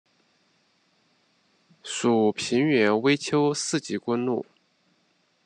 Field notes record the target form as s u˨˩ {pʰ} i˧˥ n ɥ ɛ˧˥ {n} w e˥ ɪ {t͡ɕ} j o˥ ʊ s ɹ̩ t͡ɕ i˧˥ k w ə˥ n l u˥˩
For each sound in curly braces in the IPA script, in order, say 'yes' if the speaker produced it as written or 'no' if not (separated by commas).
yes, yes, no